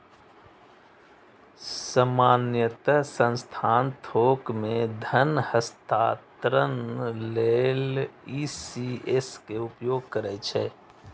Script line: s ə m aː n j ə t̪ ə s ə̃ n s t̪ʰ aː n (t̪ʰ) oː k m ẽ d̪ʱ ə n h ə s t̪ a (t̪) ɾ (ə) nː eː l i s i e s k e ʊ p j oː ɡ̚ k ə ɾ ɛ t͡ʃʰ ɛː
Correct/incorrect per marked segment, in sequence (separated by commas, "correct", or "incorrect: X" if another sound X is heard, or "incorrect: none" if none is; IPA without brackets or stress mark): correct, correct, correct